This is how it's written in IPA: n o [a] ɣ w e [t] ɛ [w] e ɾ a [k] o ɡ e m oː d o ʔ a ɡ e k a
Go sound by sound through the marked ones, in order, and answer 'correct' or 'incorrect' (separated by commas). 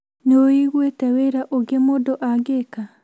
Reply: incorrect, correct, correct, incorrect